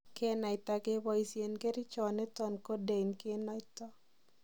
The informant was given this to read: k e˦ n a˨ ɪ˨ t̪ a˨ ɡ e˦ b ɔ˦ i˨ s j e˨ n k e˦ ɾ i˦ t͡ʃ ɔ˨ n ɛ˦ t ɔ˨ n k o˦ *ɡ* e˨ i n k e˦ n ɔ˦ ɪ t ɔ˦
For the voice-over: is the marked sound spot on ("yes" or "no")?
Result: no